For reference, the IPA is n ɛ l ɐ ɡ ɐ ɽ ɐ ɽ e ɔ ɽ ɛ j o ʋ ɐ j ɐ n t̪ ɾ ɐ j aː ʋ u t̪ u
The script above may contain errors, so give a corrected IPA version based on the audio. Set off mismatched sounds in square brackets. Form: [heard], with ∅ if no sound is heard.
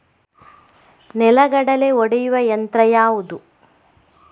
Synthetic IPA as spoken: n ɛ l ɐ ɡ ɐ ɽ ɐ [l] e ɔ ɽ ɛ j [u] ʋ ɐ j ɐ n t̪ ɾ ɐ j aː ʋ u [d̪] u